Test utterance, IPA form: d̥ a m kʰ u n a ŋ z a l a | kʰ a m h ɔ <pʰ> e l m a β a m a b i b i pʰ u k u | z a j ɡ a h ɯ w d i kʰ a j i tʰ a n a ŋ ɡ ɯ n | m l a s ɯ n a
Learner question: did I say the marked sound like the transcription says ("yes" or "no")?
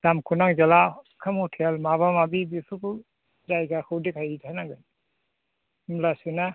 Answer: no